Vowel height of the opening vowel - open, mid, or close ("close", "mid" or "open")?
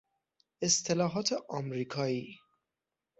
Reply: mid